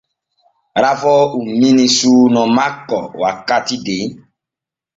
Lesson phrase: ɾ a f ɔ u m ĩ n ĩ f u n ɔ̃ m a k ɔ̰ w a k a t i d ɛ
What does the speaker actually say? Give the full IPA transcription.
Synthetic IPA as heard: ɾ a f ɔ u m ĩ n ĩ s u n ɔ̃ m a k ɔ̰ w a k a t i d e